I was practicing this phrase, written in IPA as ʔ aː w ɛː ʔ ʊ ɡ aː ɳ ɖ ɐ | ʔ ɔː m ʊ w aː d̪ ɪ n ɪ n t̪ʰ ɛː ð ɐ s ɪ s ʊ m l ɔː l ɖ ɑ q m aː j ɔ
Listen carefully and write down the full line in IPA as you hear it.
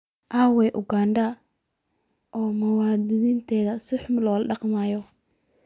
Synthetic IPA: ʔ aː w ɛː ʔ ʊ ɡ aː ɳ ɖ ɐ | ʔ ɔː m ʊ w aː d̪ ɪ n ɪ n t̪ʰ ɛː ð ɐ s ɪ ħ ʊ m l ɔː l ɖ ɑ q m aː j ɔ